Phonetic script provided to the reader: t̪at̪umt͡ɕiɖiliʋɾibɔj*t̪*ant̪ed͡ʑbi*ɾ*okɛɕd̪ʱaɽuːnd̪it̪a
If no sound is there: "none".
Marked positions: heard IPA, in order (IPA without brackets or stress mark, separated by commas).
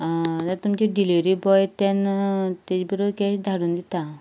t̪, ɾ